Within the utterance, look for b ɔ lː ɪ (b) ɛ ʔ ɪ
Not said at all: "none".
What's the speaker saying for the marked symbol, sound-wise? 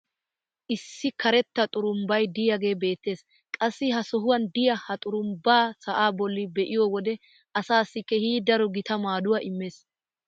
b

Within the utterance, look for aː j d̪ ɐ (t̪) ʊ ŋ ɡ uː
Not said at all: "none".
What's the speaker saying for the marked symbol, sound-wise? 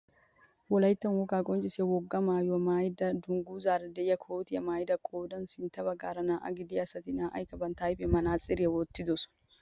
d̪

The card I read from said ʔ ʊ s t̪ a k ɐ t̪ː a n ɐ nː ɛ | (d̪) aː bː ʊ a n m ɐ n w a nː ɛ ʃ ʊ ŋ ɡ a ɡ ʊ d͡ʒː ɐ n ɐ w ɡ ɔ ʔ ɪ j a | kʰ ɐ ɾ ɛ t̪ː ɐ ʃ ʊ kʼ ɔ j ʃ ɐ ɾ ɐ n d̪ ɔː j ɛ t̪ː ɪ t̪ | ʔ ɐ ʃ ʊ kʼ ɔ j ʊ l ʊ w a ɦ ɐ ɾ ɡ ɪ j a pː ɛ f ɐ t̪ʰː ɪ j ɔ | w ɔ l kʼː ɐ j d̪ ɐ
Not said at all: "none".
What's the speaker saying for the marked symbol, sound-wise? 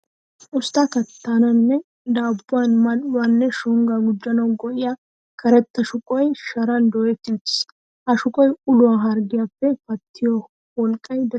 d̪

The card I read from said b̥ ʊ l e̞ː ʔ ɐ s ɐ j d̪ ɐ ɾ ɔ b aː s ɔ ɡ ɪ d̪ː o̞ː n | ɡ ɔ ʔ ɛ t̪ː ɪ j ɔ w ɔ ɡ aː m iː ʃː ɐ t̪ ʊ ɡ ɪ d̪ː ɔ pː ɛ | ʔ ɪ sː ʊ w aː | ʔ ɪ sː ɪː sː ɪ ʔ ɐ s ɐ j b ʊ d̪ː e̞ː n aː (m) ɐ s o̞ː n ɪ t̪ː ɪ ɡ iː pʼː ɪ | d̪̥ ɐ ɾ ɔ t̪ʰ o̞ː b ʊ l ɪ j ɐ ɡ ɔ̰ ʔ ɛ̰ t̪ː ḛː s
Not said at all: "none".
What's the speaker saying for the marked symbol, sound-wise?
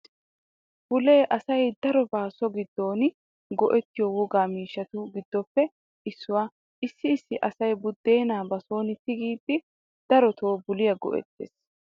b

